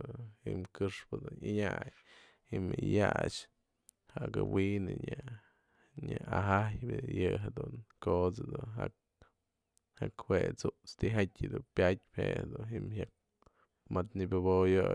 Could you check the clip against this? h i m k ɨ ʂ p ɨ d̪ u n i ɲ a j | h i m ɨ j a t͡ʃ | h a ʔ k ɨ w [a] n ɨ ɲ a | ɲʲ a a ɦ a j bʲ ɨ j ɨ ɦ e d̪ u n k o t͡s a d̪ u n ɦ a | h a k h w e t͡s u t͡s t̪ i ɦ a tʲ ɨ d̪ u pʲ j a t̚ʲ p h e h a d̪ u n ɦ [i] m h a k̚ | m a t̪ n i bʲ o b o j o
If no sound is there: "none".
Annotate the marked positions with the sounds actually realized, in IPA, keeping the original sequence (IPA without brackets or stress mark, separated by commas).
i, i